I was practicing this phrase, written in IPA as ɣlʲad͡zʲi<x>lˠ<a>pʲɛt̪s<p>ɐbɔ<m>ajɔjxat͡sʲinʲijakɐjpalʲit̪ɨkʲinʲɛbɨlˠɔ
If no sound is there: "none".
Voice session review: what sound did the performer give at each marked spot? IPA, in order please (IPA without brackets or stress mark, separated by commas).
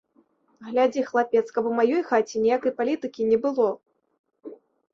x, a, k, m